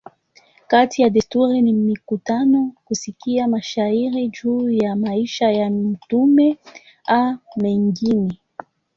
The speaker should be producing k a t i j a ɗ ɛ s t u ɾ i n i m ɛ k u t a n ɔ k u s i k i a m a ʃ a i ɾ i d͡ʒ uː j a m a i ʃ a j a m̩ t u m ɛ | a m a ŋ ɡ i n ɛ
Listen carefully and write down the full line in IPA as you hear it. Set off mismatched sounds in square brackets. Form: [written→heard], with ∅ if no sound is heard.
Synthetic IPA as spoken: k a t i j a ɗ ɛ s t u ɾ i n i m [ɛ→i] k u t a n ɔ k u s i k i a m a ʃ a i ɾ i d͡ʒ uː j a m a i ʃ a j a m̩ t u m ɛ | a m [a→ɛ] ŋ ɡ i n ɛ